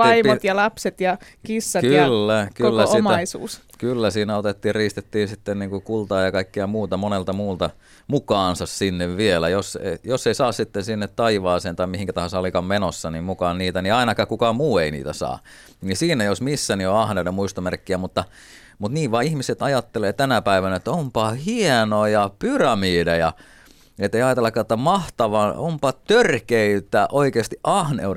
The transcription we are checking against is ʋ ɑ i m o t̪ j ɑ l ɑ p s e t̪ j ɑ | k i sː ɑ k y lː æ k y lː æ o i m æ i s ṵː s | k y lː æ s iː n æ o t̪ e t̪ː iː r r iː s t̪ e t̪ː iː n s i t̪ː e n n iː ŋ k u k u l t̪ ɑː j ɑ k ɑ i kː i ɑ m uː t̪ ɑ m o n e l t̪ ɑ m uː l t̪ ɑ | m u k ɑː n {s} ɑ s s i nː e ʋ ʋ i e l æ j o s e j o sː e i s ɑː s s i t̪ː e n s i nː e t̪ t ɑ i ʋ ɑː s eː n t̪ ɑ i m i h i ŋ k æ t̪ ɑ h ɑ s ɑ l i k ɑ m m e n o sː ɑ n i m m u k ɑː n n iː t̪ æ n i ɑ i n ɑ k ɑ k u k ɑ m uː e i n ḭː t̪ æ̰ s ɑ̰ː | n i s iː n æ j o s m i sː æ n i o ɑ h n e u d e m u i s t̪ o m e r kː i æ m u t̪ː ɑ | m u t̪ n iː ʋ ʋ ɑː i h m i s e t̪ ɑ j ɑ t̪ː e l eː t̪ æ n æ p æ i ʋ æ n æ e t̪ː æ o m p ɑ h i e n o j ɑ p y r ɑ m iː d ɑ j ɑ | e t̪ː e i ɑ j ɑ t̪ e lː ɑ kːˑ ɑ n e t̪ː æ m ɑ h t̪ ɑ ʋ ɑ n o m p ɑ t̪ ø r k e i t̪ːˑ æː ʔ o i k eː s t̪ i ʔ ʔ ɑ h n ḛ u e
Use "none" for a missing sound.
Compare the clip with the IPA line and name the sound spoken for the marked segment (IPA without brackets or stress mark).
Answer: s